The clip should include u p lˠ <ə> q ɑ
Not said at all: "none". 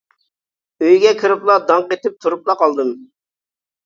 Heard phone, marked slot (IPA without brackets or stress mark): ɑ